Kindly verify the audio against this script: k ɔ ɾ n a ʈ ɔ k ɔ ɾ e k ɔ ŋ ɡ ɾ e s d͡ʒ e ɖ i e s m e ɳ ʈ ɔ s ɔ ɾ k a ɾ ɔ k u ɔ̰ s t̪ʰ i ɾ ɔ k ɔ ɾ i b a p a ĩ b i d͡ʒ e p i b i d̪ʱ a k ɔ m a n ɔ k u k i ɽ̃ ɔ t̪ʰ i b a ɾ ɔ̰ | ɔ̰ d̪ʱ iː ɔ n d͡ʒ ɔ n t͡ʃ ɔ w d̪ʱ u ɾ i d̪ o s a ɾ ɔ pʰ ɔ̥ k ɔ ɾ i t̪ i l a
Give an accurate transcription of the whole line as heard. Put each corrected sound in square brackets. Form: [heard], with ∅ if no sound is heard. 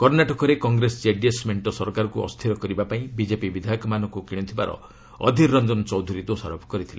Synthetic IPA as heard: k ɔ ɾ n a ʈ ɔ k ɔ ɾ e k ɔ ŋ ɡ ɾ e s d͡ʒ e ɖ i e s m e ɳ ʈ ɔ s ɔ ɾ k a ɾ ɔ k u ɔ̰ s t̪ʰ i ɾ ɔ k ɔ ɾ i b a p a ĩ b i d͡ʒ e p i b i d̪ʱ a k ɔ m a n ɔ k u k i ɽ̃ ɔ t̪ʰ i b a ɾ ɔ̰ | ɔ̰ d̪ʱ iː ɔ n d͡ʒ ɔ n t͡ʃ ɔ w d̪ʱ u ɾ i d̪ o s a ɾ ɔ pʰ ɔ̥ k ɔ ɾ i [t̪ʰ] i l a